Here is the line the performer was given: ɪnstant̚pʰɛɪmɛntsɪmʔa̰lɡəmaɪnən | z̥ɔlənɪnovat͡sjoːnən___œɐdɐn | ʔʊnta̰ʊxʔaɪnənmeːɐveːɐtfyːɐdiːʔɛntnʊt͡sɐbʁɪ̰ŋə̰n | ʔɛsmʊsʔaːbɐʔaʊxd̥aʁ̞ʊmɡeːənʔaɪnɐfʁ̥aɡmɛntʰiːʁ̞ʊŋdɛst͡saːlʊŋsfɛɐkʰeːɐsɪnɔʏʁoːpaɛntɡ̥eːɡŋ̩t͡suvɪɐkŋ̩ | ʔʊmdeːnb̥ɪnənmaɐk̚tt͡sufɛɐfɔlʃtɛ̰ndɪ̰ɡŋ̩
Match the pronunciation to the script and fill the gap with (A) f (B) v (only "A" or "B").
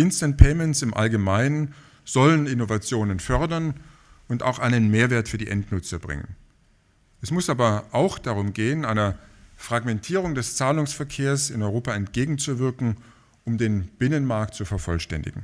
A